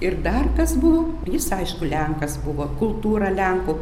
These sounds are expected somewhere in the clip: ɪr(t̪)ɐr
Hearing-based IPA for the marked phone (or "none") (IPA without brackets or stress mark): d̪